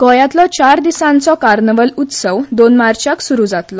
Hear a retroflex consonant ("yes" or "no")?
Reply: no